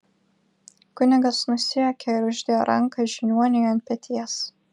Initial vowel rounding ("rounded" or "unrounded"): rounded